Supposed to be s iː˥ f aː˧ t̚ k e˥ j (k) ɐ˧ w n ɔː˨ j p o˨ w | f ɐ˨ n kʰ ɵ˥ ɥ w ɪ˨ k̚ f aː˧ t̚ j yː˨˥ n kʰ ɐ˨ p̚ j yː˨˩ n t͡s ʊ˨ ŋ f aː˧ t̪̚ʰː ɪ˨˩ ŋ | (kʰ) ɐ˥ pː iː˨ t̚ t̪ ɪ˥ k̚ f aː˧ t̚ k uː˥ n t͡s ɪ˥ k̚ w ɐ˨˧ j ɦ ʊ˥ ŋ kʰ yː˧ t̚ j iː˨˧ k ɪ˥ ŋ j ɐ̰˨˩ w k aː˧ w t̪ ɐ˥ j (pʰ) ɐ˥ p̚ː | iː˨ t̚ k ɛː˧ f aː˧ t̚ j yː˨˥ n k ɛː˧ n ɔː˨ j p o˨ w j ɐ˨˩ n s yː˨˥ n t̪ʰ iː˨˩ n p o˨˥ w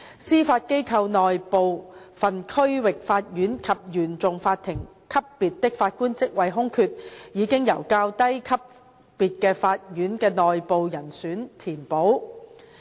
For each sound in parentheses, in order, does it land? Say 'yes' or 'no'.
no, yes, no

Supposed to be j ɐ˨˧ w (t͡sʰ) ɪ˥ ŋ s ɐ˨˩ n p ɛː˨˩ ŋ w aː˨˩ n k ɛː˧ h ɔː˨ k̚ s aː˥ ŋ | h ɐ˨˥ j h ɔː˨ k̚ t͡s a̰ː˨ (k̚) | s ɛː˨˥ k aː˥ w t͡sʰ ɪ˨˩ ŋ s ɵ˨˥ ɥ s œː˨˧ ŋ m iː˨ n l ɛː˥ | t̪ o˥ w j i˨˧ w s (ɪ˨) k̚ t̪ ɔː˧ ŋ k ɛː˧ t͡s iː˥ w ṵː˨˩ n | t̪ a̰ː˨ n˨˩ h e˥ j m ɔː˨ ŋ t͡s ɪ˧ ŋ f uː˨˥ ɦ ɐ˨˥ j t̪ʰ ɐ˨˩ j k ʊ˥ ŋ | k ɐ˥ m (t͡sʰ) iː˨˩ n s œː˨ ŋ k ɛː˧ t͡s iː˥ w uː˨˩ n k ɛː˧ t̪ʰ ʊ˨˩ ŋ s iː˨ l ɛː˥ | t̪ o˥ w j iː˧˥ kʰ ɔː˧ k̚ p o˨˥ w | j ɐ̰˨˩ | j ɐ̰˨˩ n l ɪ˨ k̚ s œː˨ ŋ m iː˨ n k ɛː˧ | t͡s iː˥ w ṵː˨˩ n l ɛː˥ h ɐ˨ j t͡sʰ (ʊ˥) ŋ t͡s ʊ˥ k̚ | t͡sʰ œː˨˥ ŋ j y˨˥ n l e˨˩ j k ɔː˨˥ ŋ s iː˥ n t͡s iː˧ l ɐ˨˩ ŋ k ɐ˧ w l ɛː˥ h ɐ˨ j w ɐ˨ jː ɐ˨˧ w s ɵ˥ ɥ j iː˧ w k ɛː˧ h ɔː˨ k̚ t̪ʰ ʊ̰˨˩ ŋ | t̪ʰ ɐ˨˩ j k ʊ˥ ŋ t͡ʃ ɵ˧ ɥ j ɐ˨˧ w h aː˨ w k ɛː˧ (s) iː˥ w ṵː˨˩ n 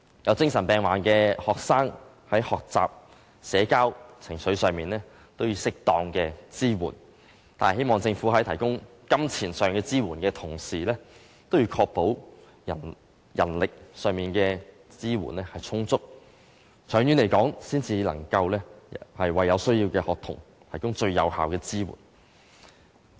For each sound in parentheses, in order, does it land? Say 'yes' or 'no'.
no, no, no, yes, yes, no

